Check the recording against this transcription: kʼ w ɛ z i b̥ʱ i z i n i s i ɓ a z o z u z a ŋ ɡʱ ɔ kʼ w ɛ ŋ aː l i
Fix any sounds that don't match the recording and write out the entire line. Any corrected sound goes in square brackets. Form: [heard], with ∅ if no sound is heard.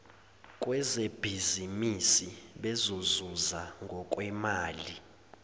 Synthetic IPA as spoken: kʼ w ɛ z [e] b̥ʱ i z i [m] i s i ɓ [ɛ] z o z u z a ŋ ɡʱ ɔ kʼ w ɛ [m] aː l i

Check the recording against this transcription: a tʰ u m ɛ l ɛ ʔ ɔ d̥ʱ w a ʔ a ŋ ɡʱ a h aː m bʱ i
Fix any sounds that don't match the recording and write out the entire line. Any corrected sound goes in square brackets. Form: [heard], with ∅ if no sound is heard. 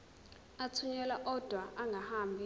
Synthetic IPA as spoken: a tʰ u [ɲ] ɛ l [a] ʔ ɔ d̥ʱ w a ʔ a ŋ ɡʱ a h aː m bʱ i

